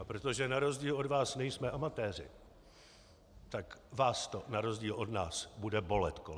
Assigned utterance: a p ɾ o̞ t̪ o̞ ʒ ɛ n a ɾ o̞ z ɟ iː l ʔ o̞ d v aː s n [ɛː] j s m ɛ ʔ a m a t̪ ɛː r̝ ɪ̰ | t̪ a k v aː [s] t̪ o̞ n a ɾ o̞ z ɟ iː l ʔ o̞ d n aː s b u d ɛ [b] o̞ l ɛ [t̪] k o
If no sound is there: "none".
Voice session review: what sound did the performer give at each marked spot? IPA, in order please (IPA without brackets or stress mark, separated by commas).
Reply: ɛ, s, b, t̪